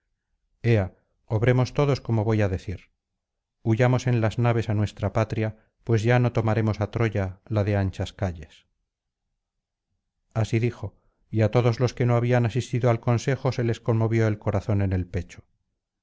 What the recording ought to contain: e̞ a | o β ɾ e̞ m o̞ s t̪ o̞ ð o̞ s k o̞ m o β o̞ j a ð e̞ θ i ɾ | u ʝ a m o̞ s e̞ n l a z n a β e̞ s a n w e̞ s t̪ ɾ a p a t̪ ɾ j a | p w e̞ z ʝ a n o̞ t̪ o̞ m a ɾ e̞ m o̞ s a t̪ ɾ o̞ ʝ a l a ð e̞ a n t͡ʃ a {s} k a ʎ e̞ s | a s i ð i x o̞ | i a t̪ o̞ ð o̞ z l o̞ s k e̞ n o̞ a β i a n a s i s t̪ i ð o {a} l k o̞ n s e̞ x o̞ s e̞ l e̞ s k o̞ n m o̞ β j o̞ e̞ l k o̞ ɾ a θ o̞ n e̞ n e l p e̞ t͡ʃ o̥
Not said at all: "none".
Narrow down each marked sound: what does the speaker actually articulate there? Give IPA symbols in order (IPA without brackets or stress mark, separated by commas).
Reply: s, a